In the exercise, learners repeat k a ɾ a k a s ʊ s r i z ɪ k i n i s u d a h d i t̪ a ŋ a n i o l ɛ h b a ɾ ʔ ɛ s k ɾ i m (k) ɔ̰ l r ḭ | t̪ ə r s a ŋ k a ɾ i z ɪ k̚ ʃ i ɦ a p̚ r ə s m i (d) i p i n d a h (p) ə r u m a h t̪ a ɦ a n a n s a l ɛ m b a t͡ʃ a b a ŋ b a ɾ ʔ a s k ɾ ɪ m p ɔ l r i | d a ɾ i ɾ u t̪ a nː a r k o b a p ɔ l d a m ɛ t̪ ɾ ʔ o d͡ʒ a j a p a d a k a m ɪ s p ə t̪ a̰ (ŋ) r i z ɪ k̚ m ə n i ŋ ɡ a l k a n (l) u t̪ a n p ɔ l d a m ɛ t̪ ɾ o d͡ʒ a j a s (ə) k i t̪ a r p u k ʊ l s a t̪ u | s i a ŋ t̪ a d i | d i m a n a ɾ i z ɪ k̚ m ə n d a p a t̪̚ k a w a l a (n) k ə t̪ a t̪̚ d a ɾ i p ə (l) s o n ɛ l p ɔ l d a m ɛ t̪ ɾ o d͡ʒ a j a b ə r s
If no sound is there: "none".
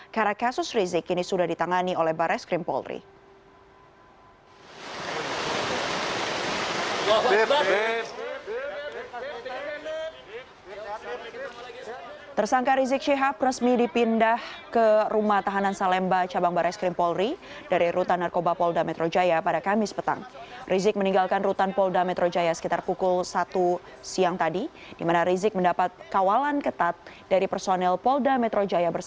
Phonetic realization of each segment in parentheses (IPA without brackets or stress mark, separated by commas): p, d, k, ŋ, r, ə, n, r